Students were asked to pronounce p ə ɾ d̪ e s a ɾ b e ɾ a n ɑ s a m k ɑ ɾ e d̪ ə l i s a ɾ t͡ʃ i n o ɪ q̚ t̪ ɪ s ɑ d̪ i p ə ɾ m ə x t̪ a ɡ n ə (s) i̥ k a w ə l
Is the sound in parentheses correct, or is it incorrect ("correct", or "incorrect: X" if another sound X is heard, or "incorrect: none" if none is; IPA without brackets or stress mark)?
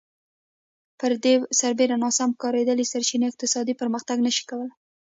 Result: incorrect: ʃ